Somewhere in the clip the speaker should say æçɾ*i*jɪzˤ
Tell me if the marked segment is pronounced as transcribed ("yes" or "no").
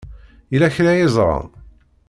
no